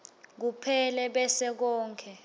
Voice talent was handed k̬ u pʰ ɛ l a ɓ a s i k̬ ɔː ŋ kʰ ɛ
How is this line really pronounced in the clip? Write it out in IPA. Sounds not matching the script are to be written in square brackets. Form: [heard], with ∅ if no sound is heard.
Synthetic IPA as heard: k̬ u pʰ ɛ l [ɛ] ɓ [ɛ] s [ɛ] k̬ ɔː ŋ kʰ ɛ